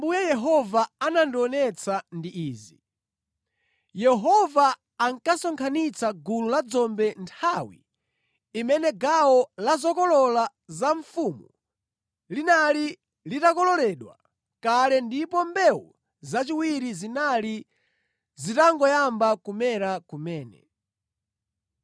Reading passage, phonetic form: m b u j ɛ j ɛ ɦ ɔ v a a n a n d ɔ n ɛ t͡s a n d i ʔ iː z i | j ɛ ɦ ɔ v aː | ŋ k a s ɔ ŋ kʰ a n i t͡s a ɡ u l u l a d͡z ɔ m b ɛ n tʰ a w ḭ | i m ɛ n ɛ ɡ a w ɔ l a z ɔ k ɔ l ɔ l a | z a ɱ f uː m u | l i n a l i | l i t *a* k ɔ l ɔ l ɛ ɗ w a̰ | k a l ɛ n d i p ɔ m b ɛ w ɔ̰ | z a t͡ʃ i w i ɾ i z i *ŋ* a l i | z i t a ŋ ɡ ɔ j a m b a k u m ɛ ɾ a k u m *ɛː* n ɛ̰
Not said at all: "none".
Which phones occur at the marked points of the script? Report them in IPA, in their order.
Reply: a, n, ɛː

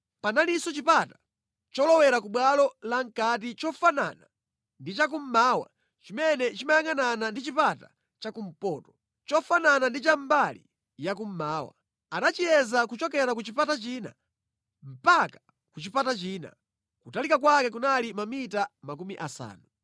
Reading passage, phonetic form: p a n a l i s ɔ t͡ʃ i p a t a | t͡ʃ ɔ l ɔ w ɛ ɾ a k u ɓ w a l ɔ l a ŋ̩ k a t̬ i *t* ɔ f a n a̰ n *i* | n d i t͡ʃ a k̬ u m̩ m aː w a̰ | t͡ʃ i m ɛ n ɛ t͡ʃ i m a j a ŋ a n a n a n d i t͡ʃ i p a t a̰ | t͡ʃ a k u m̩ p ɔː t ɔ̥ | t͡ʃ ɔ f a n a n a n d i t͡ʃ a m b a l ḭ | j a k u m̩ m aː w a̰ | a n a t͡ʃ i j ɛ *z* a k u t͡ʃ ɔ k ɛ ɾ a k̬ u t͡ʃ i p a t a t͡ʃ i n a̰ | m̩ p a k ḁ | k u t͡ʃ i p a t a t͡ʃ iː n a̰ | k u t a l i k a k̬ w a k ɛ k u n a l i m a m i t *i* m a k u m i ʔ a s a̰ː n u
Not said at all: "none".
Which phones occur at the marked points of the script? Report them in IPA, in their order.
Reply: t͡ʃ, a, z, a

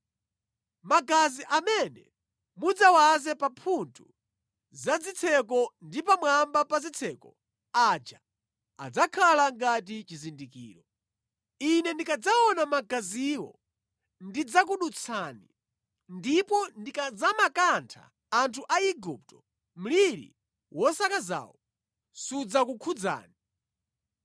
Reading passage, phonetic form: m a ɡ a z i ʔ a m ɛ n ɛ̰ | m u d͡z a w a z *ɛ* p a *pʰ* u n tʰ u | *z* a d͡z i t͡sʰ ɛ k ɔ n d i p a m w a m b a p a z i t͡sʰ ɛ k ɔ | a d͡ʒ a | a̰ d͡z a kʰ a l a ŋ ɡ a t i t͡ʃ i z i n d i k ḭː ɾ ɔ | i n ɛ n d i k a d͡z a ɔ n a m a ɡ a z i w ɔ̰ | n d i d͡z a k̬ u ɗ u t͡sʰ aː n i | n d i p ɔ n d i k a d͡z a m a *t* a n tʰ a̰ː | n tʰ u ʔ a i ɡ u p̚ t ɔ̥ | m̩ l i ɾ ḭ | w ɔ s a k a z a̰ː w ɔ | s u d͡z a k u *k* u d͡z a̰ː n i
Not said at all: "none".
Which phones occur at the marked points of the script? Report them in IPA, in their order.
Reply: ɛ, pʰ, z, k, kʰ

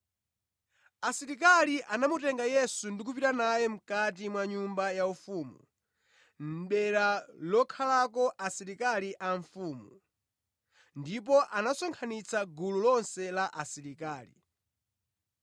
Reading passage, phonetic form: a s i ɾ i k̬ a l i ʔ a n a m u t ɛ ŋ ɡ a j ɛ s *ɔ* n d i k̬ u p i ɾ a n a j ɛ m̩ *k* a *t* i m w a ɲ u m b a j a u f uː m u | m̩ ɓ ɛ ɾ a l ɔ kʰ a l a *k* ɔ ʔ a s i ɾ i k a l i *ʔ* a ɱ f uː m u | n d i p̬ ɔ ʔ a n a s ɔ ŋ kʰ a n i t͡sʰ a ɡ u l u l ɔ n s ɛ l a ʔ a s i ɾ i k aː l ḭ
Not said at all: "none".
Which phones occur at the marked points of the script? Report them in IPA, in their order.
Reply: u, k, t, k, ʔ

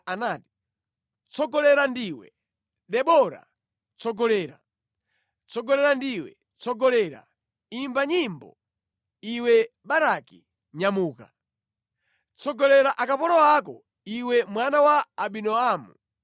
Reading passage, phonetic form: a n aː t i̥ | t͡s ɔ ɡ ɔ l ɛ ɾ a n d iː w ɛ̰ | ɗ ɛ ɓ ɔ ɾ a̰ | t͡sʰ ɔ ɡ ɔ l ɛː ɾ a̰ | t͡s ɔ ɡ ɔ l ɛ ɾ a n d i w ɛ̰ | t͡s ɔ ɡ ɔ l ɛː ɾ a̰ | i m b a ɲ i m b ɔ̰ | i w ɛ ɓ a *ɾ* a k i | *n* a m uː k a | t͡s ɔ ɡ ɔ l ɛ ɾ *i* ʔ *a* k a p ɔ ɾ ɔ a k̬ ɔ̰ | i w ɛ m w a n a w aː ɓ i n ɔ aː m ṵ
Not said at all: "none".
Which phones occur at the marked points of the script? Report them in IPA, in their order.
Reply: ɾ, ɲ, a, a

